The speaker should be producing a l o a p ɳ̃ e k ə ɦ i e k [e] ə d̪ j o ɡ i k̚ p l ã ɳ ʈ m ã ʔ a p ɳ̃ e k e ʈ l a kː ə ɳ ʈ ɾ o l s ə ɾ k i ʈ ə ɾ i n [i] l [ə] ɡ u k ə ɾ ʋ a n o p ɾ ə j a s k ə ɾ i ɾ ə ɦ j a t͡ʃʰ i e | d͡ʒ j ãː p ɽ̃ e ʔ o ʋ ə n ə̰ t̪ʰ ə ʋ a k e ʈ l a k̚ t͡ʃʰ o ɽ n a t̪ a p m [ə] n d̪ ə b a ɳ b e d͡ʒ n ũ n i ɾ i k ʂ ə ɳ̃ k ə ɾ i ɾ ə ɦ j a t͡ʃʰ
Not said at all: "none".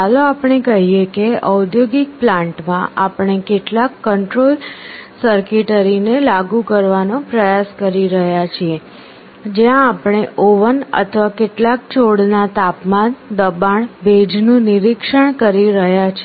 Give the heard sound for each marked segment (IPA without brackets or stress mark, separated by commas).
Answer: e, e, a, a